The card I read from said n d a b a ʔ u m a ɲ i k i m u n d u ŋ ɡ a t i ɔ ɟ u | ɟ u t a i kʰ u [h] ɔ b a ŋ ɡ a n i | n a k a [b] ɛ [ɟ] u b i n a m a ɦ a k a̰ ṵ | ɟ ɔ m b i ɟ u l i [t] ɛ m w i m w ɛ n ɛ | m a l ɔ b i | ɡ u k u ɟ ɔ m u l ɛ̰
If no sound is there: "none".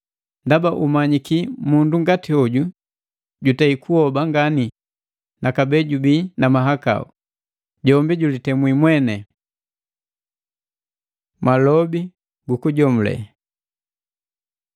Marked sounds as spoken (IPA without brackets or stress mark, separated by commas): h, b, ɟ, t